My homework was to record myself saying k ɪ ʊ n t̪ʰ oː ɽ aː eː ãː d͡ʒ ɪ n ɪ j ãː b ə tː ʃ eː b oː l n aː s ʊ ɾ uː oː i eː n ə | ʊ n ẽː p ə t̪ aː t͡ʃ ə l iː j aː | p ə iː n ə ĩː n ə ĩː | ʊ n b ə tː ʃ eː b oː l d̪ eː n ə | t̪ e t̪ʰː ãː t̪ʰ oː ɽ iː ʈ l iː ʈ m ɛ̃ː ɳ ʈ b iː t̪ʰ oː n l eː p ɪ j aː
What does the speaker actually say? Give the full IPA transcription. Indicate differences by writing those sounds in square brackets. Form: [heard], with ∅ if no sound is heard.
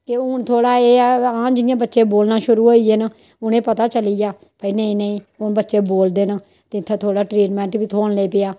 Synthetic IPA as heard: k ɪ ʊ n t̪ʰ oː ɽ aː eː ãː d͡ʒ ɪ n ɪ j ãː b ə tː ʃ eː b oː l n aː [ʃ] ʊ ɾ uː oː i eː n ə | ʊ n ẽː p ə t̪ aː t͡ʃ ə l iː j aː | p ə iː n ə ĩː n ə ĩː | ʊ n b ə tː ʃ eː b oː l d̪ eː n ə | t̪ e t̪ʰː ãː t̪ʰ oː ɽ [aː] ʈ [ɾ] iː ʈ m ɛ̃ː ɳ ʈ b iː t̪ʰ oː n l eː p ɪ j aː